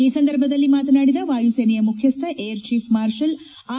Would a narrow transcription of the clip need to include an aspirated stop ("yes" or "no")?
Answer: yes